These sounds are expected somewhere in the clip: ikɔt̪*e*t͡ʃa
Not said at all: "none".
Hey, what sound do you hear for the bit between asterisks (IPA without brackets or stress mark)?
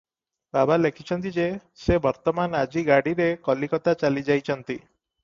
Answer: a